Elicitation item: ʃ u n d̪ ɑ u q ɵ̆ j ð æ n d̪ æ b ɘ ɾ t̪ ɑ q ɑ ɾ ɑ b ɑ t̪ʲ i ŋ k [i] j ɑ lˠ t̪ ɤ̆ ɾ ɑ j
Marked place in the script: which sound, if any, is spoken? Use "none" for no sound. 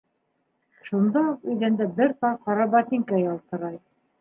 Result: æ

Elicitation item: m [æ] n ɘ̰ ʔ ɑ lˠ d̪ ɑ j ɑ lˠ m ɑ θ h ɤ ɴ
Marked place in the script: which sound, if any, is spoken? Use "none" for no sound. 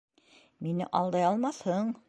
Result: i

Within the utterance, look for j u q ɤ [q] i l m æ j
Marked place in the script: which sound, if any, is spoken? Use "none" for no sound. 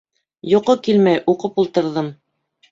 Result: k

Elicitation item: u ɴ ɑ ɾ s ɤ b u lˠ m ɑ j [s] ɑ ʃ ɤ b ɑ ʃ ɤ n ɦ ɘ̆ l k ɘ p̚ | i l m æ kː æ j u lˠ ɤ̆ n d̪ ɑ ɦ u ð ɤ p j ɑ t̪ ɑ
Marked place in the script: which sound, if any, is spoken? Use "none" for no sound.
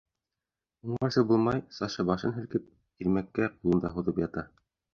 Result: s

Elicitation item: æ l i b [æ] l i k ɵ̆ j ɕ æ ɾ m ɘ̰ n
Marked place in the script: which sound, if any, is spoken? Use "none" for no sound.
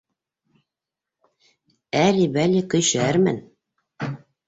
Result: æ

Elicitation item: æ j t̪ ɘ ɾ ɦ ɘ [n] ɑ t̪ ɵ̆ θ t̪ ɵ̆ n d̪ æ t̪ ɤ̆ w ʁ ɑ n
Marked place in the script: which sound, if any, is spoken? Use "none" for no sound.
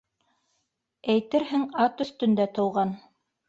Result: ŋ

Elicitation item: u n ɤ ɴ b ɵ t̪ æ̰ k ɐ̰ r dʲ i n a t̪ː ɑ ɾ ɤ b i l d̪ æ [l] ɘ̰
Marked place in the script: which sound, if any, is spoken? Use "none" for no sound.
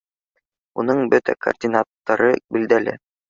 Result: l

